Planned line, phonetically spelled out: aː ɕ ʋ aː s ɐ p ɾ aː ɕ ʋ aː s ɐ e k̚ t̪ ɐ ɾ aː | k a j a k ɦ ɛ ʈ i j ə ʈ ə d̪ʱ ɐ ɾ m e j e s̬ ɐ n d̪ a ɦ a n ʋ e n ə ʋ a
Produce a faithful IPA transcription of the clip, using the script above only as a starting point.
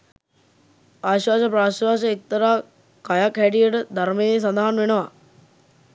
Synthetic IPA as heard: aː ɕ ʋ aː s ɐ p ɾ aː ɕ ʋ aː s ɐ e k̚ t̪ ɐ ɾ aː | k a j a k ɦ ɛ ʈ i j ə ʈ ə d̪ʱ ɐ ɾ m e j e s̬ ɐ n d̪ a ɦ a n ʋ e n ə ʋ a